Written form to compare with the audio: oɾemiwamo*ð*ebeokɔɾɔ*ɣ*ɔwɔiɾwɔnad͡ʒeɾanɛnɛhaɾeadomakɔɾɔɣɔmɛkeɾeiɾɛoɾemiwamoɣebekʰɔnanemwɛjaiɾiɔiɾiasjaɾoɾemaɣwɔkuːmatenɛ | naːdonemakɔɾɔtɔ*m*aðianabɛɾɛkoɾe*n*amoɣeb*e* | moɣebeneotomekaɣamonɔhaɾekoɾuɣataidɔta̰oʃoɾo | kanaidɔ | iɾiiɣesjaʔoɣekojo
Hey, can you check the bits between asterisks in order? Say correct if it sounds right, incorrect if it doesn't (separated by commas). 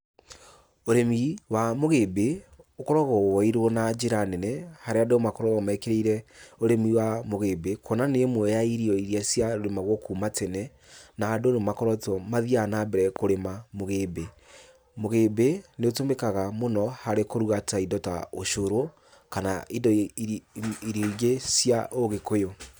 incorrect, correct, correct, incorrect, correct